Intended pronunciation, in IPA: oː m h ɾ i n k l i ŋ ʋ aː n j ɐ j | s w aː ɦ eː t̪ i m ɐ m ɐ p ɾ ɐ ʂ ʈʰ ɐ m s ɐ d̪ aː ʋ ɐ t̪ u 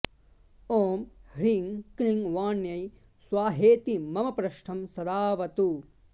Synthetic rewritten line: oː m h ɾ i ŋ k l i ŋ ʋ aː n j ɐ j | s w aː ɦ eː t̪ i m ɐ m ɐ p ɾ ɐ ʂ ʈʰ ɐ m s ɐ d̪ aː ʋ ɐ t̪ u